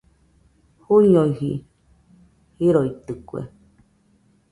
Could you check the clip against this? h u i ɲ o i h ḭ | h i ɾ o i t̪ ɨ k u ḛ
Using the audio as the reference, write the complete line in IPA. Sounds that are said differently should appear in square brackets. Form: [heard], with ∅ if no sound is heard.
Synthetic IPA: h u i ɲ o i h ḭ | h i ɾ o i t̪ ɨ k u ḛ